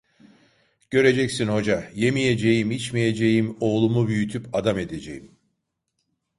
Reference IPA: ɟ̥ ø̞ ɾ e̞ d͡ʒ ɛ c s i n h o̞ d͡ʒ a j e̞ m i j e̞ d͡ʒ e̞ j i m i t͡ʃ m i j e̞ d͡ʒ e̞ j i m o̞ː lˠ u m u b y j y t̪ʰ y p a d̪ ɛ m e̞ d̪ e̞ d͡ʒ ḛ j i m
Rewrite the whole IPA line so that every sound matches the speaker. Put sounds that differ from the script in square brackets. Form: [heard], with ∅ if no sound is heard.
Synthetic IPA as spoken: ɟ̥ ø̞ ɾ e̞ d͡ʒ ɛ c s i n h o̞ d͡ʒ a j e̞ m i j e̞ d͡ʒ e̞ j i m i t͡ʃ m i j e̞ d͡ʒ e̞ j i m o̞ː lˠ u m u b y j y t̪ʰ y p a d̪ [a] m e̞ d̪ e̞ d͡ʒ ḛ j i m